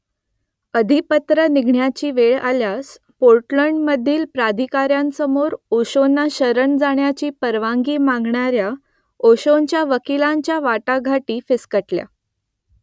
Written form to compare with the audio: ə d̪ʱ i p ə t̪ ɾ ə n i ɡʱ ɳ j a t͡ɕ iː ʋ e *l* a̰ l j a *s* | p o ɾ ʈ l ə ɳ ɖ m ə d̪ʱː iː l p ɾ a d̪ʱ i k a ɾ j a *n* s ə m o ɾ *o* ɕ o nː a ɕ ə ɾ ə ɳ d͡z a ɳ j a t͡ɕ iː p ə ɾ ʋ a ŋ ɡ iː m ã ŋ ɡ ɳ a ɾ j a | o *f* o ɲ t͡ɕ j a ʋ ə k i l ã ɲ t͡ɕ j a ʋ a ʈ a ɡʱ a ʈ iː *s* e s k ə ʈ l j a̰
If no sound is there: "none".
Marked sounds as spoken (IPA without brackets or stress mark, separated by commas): ɭ, s, n, o, ɕ, f